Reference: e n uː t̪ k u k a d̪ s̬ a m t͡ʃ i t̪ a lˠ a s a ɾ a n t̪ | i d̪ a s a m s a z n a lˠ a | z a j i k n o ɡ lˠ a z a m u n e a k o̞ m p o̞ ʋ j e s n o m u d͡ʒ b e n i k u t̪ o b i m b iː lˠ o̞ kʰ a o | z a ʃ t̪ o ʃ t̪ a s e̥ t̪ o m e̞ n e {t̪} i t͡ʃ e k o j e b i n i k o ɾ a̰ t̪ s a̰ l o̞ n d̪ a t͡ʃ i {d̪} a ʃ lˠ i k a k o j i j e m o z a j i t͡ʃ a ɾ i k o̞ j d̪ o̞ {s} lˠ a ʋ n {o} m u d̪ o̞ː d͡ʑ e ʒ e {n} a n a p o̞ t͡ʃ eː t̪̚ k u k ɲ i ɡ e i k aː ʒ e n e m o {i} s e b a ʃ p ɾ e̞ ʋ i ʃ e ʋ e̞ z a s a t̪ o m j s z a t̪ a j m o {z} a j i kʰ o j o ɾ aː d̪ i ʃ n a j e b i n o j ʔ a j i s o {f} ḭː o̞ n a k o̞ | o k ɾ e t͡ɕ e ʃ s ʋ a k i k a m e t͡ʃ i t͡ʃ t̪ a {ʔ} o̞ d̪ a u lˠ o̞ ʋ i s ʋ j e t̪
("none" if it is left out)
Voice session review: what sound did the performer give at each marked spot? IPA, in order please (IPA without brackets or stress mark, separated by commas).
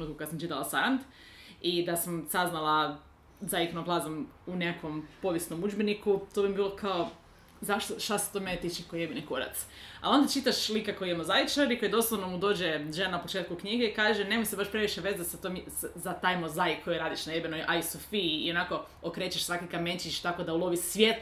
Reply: t̪, t̪, s, o, n, j, z, f, k